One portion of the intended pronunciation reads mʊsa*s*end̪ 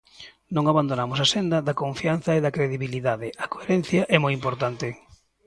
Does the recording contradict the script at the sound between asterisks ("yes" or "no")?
no